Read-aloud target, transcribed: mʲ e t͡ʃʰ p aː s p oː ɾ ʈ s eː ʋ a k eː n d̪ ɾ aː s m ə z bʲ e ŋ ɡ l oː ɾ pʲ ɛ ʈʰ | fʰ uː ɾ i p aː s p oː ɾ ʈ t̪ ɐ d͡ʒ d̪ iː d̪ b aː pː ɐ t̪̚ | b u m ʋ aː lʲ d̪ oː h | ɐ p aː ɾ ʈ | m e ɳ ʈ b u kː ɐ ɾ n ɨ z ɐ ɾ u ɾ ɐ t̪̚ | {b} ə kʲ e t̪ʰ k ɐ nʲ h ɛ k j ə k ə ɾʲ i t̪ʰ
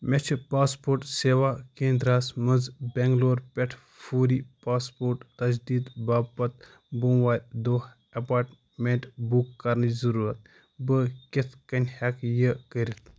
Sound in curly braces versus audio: correct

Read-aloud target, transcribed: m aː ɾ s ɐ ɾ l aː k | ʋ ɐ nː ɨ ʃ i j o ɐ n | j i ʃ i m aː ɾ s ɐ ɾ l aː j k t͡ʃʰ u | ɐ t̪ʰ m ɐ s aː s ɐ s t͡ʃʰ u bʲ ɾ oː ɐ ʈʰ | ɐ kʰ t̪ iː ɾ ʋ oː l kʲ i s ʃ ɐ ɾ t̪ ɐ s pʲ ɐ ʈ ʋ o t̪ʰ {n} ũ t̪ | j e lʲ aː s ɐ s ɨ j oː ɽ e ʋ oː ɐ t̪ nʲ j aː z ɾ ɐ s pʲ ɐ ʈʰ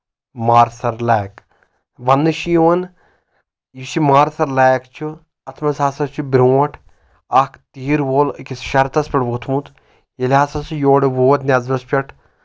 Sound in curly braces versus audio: incorrect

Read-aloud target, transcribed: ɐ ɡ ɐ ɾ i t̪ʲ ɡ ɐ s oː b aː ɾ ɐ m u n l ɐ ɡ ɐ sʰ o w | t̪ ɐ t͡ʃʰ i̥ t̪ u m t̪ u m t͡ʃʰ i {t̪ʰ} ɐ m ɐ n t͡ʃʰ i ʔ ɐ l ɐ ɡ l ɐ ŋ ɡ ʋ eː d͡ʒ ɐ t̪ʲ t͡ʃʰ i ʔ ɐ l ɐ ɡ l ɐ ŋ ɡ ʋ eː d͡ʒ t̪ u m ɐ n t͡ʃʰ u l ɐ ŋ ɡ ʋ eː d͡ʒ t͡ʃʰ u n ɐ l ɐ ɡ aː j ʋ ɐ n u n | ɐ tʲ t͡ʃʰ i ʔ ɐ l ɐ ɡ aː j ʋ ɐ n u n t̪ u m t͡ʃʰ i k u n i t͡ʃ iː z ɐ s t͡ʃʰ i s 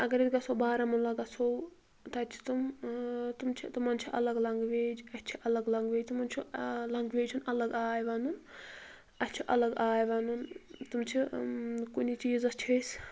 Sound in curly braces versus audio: incorrect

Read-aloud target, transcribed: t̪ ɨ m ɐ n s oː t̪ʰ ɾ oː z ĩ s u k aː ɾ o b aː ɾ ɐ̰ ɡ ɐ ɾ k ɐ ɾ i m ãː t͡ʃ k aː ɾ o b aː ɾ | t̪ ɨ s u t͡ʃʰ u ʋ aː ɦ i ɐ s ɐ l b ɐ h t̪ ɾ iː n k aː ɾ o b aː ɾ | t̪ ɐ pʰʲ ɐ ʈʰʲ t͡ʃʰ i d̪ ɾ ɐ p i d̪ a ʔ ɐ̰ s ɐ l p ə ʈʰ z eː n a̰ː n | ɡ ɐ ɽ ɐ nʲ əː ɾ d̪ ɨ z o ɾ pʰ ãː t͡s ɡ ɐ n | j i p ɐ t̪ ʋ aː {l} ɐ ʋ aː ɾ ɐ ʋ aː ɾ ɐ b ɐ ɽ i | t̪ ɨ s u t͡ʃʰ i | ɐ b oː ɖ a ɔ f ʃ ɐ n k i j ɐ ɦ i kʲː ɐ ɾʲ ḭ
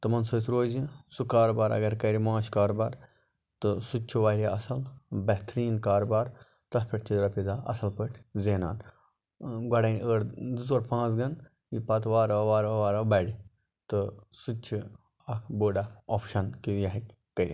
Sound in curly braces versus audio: incorrect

